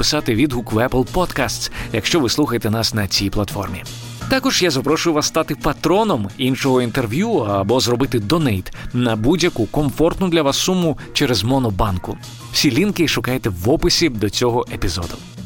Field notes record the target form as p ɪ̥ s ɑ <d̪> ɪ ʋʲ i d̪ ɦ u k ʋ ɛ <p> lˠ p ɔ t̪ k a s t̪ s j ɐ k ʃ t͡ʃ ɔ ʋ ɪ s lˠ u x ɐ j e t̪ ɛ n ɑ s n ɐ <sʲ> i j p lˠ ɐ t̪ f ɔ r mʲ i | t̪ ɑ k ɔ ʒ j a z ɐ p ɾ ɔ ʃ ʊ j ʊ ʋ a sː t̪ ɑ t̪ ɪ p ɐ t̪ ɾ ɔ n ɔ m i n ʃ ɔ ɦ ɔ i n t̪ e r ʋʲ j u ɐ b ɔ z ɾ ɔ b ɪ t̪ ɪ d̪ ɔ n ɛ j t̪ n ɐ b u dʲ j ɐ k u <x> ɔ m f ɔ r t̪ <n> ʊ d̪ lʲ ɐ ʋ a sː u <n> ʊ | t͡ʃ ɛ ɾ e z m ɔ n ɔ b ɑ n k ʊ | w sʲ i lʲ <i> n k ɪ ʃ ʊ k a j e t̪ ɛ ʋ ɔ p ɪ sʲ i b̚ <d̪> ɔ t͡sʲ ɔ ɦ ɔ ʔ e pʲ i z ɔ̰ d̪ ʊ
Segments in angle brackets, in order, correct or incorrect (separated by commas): incorrect, correct, incorrect, incorrect, correct, incorrect, correct, correct